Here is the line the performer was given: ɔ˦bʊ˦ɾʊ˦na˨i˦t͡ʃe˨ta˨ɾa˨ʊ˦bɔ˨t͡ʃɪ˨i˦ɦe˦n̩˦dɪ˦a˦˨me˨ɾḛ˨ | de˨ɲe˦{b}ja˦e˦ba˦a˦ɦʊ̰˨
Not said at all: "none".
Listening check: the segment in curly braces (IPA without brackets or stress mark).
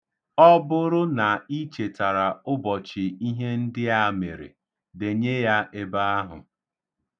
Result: none